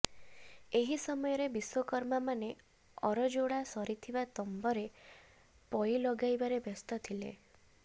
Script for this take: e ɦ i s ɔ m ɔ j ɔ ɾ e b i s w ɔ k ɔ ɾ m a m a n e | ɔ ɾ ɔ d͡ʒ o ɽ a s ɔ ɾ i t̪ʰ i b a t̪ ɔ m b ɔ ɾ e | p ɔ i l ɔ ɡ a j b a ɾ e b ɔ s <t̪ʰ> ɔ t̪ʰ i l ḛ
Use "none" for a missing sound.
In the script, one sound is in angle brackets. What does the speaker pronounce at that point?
t̪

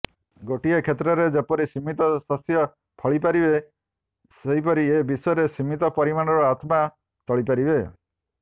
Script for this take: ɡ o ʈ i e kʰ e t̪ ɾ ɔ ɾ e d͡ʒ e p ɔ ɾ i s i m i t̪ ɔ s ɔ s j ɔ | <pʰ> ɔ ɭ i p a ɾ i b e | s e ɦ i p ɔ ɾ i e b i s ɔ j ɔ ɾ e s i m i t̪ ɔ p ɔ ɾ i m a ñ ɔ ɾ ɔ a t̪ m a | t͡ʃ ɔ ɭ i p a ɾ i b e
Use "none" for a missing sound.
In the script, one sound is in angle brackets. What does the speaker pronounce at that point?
pʰ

